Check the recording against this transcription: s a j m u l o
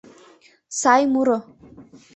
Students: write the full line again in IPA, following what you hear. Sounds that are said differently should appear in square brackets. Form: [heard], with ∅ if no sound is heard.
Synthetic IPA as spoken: s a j m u [ɾ] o